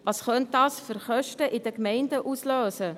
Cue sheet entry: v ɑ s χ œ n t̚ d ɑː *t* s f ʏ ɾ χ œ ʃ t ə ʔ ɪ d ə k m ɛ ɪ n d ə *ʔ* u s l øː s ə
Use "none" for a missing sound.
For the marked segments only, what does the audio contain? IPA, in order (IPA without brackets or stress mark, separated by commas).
none, ʔ